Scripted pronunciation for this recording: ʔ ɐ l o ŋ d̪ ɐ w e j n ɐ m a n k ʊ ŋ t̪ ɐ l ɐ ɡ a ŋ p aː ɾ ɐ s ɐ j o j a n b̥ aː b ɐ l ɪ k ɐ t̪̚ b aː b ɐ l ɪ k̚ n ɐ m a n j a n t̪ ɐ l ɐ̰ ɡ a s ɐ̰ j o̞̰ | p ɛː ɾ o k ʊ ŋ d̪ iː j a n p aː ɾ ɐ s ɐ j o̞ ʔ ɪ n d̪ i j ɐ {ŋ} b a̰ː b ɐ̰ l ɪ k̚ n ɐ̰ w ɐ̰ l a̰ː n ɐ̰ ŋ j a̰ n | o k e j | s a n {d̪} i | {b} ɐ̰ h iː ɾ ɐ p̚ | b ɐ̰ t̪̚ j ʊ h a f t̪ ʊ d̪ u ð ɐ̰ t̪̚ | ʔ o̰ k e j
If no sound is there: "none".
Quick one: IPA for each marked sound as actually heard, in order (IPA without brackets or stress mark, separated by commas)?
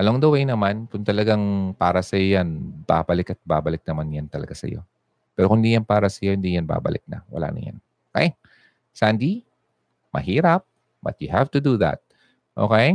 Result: n, d̪, m